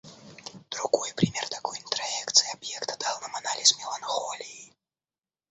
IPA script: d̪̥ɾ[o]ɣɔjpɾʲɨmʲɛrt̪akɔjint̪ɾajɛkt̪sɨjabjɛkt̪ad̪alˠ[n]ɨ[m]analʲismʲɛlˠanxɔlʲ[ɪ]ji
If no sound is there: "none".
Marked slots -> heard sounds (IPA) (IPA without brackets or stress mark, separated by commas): u, n, m, i